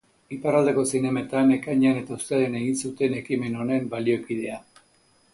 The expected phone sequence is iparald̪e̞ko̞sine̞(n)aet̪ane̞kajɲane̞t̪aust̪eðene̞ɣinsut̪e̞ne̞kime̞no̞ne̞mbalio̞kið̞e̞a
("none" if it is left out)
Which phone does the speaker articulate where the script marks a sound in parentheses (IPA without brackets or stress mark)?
m